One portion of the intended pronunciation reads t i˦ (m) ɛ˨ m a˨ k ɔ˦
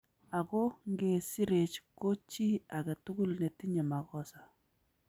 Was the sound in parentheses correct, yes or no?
no